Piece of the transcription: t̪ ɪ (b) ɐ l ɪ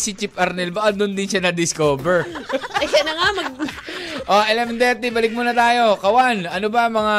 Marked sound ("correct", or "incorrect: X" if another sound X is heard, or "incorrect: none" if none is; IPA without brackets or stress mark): correct